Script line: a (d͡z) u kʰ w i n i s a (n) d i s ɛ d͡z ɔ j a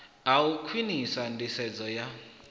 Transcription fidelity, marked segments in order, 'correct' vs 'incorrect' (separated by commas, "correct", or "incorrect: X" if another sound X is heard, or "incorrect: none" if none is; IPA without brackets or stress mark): incorrect: none, correct